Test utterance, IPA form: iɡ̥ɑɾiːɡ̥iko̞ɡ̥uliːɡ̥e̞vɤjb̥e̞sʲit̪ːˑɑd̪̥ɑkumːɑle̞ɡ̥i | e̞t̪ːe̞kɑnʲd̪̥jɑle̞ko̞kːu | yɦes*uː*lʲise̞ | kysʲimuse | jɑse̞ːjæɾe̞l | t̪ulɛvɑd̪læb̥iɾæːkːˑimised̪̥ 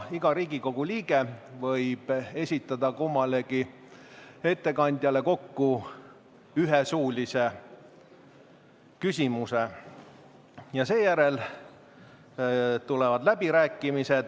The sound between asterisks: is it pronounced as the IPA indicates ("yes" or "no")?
yes